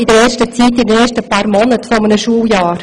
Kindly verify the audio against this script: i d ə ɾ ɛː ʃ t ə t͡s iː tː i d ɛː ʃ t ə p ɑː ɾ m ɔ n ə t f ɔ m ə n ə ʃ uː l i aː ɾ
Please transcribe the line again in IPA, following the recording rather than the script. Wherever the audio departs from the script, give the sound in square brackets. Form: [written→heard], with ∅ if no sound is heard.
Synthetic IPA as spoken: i d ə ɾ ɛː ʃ t ə t͡s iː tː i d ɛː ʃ t ə p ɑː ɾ m ɔ n ə t f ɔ m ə n ə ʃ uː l [i→j] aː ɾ